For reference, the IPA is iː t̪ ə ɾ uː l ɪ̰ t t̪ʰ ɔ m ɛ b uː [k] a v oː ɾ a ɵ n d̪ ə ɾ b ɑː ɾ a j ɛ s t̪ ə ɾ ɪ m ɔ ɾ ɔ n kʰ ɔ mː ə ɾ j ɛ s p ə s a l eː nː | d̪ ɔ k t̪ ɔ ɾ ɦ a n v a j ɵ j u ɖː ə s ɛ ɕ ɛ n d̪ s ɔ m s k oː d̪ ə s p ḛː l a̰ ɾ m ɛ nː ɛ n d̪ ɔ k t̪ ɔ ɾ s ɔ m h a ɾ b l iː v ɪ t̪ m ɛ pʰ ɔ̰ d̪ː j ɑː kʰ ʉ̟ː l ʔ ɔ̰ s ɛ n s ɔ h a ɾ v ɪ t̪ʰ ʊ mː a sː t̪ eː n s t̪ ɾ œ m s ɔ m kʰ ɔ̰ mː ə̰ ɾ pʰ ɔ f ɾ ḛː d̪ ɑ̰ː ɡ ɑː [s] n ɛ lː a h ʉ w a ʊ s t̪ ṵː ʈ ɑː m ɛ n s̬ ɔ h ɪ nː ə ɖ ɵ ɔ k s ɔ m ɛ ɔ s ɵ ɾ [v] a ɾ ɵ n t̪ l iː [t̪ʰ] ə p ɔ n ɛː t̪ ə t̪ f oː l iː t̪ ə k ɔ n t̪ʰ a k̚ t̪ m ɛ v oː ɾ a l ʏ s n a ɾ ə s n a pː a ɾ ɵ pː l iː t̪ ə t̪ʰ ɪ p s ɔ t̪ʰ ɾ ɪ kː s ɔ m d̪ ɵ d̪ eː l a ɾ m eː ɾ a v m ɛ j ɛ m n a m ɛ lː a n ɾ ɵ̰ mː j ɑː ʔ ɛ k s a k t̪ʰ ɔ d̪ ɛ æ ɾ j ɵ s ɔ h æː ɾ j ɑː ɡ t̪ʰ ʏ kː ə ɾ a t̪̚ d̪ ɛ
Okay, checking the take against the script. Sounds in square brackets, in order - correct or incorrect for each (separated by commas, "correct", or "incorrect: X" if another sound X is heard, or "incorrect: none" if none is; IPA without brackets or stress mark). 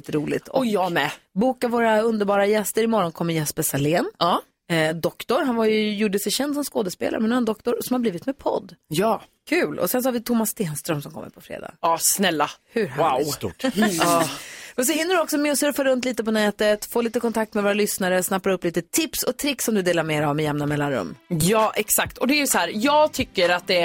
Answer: correct, correct, incorrect: f, incorrect: t̪